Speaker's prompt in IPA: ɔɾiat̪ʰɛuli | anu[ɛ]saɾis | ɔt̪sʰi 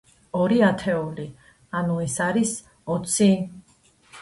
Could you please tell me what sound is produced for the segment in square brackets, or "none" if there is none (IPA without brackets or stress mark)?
ɛ